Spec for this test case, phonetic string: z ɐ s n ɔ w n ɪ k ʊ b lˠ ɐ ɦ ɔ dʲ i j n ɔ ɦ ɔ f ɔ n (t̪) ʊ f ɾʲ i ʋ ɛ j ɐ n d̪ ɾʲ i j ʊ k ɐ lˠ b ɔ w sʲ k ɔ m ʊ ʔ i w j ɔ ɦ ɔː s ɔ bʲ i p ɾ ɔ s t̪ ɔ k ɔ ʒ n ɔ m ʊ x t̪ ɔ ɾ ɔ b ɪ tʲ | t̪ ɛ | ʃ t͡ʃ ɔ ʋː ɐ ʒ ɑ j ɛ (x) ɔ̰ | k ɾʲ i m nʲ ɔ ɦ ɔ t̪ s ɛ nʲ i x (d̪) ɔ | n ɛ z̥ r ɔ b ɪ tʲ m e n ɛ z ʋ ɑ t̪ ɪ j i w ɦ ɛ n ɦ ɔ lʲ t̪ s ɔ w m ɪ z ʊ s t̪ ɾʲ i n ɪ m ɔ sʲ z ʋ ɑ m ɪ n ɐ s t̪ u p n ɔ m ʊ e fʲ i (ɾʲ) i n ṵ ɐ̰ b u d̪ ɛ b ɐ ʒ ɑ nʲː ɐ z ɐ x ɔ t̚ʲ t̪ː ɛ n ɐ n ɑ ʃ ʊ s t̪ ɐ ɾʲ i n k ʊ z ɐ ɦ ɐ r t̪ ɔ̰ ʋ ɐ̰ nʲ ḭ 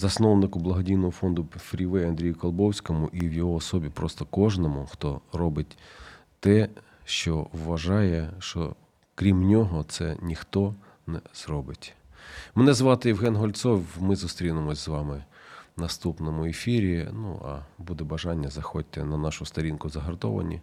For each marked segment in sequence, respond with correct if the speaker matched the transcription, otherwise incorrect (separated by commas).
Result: incorrect, incorrect, incorrect, correct